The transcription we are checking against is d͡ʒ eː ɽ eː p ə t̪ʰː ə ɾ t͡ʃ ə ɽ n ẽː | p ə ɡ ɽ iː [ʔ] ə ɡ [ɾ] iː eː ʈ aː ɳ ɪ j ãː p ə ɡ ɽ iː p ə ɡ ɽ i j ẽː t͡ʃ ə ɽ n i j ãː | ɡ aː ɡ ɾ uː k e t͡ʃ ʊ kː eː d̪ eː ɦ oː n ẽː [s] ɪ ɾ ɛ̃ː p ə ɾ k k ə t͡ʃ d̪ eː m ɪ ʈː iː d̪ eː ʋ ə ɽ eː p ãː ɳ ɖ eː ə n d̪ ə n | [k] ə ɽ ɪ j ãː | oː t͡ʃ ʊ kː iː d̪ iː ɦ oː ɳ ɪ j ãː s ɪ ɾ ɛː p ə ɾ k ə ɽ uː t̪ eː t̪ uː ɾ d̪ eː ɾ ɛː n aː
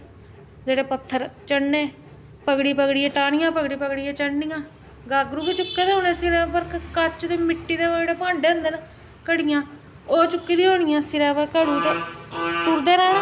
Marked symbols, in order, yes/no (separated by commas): no, no, yes, yes